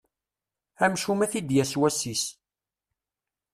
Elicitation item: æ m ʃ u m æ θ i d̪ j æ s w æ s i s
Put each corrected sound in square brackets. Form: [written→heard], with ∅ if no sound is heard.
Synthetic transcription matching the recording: æ m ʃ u m æ θ i d̪ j æ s w æ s i s